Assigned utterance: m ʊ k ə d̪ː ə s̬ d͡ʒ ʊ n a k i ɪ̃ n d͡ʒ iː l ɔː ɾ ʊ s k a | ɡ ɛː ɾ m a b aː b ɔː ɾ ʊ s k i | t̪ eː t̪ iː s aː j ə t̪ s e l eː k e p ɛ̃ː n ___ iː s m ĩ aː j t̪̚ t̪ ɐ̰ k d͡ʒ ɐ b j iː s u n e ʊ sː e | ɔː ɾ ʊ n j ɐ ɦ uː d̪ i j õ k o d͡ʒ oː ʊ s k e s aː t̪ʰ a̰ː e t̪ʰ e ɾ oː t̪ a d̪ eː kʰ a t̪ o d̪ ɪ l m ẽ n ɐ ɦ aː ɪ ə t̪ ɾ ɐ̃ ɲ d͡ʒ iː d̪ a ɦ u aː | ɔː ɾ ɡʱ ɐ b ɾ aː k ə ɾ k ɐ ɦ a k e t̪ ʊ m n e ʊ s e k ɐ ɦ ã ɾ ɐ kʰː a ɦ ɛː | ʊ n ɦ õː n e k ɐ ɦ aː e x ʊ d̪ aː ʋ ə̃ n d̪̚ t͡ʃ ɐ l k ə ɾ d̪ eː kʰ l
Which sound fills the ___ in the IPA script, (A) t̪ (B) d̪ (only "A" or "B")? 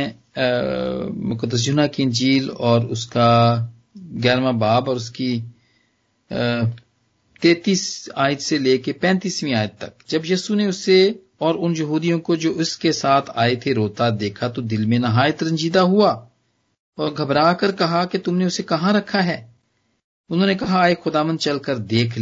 A